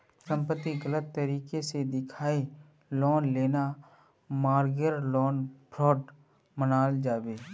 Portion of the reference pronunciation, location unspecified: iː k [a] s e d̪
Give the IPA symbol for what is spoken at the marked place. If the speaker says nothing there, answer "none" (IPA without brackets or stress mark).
e